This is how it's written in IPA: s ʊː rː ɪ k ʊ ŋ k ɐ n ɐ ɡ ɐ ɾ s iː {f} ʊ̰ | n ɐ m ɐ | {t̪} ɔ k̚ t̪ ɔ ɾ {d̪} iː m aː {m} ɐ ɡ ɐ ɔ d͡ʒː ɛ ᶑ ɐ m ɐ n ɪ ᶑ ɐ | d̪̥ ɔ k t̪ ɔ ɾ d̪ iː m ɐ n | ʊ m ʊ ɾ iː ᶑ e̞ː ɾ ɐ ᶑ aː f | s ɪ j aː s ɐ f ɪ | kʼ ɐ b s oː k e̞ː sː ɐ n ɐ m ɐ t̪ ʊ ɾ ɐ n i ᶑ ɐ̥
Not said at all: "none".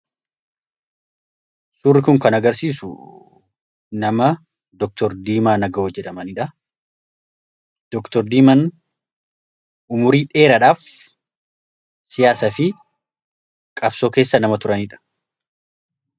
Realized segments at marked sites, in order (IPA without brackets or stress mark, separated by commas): s, d̪, d̪, n